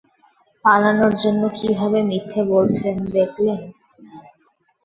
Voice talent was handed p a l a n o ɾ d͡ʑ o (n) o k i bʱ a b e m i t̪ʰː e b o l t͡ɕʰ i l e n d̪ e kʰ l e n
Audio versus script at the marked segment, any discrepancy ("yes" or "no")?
yes